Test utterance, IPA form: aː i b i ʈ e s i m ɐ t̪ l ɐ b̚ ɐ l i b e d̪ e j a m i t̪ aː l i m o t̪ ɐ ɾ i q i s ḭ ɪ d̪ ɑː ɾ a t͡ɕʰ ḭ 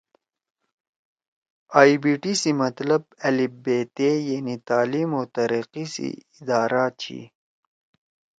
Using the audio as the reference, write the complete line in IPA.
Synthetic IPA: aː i b i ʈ i s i m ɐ t̪ l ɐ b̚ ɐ l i b e t̪ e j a n i t̪ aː l i m o t̪ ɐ ɾ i q i s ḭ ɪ d̪ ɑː ɾ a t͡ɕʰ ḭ